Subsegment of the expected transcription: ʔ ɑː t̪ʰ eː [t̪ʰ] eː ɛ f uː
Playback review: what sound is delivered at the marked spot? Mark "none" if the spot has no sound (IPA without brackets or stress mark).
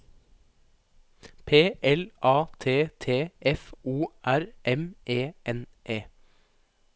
t̪ʰ